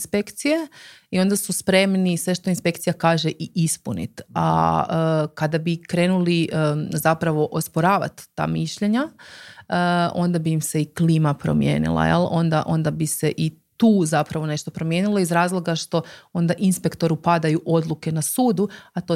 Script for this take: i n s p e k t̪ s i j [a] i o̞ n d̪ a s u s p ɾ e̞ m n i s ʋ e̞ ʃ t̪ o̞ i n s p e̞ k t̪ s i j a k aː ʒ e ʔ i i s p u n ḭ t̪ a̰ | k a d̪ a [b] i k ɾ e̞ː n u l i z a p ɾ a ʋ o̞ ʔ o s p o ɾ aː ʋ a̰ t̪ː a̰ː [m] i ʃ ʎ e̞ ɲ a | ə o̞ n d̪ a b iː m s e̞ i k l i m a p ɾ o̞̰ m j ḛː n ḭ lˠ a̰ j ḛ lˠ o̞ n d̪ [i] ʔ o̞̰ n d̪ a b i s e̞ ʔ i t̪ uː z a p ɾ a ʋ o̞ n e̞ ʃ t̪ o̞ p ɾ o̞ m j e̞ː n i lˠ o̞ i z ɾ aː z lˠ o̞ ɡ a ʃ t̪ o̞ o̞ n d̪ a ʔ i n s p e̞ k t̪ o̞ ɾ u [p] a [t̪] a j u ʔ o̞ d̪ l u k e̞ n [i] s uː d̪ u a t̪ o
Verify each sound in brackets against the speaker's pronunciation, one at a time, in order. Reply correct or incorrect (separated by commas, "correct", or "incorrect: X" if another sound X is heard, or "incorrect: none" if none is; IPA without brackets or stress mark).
incorrect: e, correct, correct, incorrect: a, correct, incorrect: d̪, incorrect: a